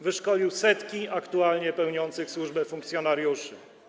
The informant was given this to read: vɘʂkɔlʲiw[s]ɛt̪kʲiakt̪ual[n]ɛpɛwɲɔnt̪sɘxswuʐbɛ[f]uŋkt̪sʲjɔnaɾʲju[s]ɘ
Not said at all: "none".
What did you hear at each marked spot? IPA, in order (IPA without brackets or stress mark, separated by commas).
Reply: s, ɲ, f, ʂ